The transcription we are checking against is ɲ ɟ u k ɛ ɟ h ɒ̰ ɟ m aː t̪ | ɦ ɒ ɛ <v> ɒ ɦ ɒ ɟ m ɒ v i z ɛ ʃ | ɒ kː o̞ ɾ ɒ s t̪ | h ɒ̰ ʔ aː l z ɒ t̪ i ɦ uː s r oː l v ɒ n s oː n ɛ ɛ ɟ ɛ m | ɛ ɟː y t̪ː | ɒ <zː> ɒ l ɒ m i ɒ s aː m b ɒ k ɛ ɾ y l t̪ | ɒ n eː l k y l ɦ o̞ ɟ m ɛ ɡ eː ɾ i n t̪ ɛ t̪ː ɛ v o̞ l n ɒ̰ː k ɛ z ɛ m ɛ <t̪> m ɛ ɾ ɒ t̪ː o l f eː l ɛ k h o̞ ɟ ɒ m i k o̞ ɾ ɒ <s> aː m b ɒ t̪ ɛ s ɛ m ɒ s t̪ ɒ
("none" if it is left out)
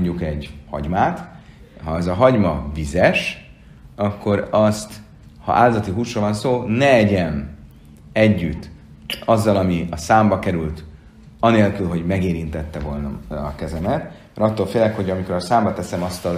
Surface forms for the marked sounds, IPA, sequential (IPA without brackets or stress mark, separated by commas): z, zː, t̪, s